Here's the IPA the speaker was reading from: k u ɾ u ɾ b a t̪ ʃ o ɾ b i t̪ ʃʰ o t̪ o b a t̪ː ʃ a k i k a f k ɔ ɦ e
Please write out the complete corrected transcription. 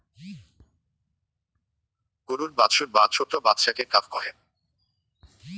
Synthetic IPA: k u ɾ u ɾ b a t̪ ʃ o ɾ b a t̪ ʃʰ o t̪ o b a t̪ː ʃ a k e k a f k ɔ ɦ e